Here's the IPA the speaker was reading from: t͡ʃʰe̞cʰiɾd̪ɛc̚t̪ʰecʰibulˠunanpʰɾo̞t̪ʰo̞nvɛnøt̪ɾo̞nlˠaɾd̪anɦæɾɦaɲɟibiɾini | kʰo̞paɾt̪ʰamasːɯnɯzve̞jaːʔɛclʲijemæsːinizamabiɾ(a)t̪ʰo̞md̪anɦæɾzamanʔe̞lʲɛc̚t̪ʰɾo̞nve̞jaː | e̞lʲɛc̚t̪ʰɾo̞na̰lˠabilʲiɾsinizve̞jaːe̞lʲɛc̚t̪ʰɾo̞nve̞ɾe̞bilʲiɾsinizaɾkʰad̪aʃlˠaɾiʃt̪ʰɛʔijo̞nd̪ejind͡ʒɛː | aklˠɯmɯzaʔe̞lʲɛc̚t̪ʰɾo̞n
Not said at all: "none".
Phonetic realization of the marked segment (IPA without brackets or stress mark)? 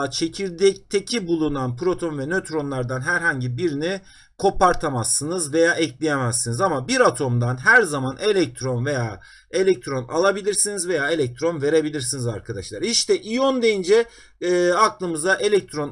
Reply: a